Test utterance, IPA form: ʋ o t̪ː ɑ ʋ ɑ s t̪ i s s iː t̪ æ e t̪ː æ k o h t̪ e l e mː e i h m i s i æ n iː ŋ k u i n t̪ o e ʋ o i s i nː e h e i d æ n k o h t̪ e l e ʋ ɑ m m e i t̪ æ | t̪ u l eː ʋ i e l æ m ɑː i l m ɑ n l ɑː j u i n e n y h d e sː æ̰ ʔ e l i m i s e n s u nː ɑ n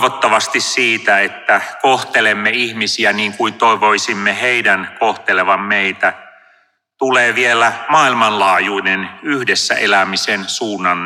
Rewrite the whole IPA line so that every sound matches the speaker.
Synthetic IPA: ʋ o t̪ː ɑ ʋ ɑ s t̪ i s s iː t̪ æ e t̪ː æ k o h t̪ e l e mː e i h m i s i æ n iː ŋ k u i n t̪ o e ʋ o i s i mː e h e i d æ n k o h t̪ e l e ʋ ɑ m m e i t̪ æ | t̪ u l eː ʋ i e l æ m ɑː i l m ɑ n l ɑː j u i n e n y h d e sː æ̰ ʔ e l æ m i s e n s uː nː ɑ n